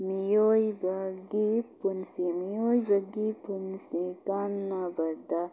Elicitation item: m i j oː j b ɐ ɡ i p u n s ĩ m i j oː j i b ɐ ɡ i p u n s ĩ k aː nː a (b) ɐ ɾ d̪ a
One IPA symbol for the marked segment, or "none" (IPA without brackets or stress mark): b